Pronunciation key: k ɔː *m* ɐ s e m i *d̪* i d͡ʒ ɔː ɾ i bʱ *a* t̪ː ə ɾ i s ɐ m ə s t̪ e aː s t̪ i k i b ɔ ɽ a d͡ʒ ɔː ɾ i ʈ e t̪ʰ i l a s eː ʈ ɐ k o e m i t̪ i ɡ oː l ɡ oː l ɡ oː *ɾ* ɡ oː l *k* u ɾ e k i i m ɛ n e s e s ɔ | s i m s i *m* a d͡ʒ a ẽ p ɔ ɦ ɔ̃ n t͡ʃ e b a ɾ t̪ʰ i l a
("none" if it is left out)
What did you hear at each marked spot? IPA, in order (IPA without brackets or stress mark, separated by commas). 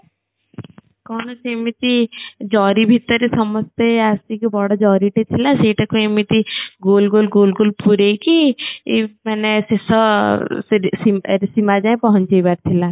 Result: n, t̪, i, l, p, m